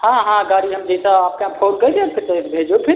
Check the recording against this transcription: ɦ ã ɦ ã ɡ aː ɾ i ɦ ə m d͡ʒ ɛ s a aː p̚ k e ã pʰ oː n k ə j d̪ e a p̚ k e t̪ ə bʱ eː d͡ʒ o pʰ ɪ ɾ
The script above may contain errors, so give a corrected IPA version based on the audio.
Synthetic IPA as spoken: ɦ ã ɦ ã ɡ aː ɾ i ɦ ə m d͡ʒ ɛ s a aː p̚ k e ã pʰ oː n k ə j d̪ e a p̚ k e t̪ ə bʱ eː d͡ʒ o pʰ ɪ ɾ

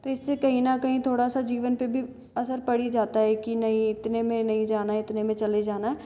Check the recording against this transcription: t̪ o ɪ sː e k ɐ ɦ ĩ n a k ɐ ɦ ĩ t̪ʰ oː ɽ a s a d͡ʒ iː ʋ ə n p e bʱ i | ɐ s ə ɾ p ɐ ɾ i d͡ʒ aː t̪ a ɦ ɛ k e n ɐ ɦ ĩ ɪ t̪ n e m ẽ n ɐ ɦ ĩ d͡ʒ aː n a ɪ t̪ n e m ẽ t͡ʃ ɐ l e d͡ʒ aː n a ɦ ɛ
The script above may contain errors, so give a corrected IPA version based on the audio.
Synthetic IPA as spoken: t̪ o ɪ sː e k ɐ ɦ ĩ n a k ɐ ɦ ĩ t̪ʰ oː ɽ a s a d͡ʒ iː ʋ ə n p e bʱ i | ɐ s ə ɾ p ɐ ɽ i d͡ʒ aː t̪ a ɦ ɛ k i n ɐ ɦ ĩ ɪ t̪ n e m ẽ n ɐ ɦ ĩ d͡ʒ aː n a ɪ t̪ n e m ẽ t͡ʃ ɐ l e d͡ʒ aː n a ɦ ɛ

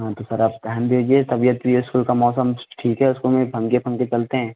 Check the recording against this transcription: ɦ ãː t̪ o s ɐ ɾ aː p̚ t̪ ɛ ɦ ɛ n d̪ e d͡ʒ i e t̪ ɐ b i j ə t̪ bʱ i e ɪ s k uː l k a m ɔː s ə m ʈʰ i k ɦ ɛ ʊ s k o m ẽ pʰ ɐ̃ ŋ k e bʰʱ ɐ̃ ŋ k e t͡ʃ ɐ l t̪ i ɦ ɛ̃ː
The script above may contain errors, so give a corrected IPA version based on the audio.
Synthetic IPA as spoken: ɦ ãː t̪ o s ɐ ɾ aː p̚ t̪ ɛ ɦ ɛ n d̪ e d͡ʒ i e t̪ ɐ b i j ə t̪ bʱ i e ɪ s k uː l k a m ɔː s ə m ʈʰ iː k ɦ ɛ ʊ s k o m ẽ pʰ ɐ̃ ŋ k e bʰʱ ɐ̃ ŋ k e t͡ʃ ɐ l t̪ e ɦ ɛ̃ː

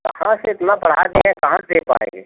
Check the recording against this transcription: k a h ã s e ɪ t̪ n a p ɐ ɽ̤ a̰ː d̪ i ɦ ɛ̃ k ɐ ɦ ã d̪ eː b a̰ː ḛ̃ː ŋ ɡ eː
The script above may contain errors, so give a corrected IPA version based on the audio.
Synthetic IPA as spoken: k ɐ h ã s e ɪ t̪ n a p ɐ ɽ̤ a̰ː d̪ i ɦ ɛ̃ k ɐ ɦ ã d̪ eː p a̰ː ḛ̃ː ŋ ɡ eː

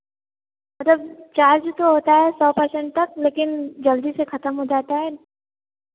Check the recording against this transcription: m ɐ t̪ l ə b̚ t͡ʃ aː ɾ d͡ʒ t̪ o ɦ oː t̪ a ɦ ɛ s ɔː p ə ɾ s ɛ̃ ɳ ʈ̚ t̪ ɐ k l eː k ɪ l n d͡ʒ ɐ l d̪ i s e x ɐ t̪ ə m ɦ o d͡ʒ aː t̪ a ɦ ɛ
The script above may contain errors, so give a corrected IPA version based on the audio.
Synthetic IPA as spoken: m ɐ t̪ l ə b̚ t͡ʃ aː ɾ d͡ʒ t̪ o ɦ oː t̪ a ɦ ɛ s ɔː p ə ɾ s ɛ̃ ɳ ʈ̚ t̪ ɐ k l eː k ɪ n d͡ʒ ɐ l d̪ i s e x ɐ t̪ ə m ɦ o d͡ʒ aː t̪ a ɦ ɛ

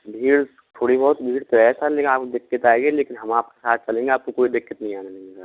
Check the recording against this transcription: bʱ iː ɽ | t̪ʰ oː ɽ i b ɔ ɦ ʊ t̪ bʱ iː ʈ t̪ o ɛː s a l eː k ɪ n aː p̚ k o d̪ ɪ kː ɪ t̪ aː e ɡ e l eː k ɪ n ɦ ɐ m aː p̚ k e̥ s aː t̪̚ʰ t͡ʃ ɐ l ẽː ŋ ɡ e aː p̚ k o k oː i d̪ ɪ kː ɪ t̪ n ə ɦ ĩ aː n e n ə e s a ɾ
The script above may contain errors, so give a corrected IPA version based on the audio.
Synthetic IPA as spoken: bʱ iː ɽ | t̪ʰ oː ɽ i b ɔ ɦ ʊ t̪ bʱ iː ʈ t̪ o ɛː s a l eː k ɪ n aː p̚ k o d̪ ɪ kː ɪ t̪ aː e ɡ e l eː k ɪ n ɦ ɐ m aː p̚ k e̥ s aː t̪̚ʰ t͡ʃ ɐ l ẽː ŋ ɡ e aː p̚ k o k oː i d̪ ɪ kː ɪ t̪ n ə ɦ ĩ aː n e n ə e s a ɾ

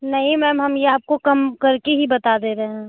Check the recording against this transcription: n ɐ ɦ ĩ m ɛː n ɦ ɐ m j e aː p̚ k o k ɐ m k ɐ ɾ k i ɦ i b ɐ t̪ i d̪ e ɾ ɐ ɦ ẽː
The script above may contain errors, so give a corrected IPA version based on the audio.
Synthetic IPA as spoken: n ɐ ɦ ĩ m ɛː m ɦ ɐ m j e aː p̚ k o k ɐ m k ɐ ɾ k e ɦ i b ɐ t̪ a d̪ e ɾ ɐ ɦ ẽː

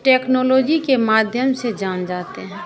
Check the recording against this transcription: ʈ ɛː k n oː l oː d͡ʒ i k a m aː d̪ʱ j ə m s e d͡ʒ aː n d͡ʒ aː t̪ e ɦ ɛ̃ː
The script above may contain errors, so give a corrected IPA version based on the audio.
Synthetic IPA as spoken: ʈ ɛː k n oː l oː d͡ʒ i k e m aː d̪ʱ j ə m s e d͡ʒ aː n d͡ʒ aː t̪ e ɦ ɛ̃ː

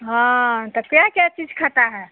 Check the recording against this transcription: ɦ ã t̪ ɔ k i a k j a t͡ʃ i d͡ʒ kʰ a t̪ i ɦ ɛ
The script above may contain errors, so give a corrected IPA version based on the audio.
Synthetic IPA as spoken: ɦ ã t̪ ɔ k j a k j a t͡ʃ i d͡ʒ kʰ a t̪ a ɦ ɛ

